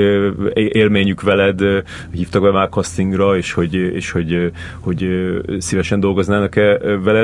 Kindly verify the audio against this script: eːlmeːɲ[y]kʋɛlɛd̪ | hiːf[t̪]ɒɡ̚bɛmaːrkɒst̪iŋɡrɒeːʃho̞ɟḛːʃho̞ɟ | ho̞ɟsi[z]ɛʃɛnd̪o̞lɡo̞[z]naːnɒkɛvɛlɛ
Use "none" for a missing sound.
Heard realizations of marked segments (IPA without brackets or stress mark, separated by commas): y, t̪, v, z